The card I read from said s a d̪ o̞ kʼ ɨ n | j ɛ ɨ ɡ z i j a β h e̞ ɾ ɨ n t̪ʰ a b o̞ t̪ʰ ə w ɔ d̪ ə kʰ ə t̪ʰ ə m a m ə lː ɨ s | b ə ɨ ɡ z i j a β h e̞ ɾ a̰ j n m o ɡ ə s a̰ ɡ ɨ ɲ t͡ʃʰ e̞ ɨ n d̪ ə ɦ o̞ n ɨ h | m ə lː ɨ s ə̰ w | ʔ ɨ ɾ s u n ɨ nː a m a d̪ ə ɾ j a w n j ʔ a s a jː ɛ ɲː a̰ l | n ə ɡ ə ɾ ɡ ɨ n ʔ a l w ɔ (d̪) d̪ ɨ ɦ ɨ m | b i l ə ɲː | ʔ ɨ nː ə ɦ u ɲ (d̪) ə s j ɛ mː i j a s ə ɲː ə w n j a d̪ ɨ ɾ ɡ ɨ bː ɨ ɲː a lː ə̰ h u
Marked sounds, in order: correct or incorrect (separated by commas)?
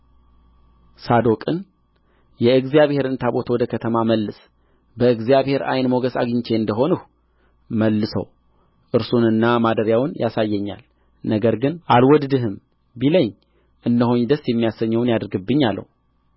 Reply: correct, correct